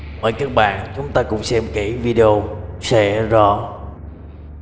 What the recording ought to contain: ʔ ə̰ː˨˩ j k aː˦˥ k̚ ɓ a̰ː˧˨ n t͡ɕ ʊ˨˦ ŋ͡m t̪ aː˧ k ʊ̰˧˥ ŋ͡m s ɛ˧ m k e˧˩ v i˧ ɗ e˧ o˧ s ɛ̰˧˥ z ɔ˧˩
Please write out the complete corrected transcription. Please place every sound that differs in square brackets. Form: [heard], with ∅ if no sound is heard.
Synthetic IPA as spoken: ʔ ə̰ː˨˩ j k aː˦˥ k̚ ɓ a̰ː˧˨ n t͡ɕ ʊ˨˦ ŋ͡m t̪ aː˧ k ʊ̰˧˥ ŋ͡m s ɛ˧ m k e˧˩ v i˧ ɗ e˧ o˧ s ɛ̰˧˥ z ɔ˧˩